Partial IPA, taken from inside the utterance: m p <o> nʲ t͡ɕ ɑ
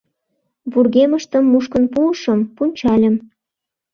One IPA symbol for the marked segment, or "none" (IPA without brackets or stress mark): u